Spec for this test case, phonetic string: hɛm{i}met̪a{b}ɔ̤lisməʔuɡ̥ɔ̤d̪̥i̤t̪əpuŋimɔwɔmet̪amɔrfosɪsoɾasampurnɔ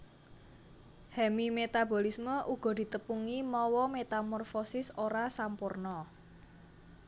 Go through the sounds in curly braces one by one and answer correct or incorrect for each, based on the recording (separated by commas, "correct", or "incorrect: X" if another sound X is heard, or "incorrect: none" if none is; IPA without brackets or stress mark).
correct, correct